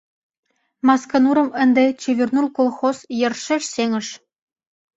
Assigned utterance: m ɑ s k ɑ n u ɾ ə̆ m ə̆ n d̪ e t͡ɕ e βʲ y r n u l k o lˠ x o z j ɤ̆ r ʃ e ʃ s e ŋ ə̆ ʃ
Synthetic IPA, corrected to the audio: m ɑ s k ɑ n u ɾ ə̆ m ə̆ n d̪ e t͡ɕ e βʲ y r n u l k o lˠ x o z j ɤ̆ r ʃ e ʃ s e ŋ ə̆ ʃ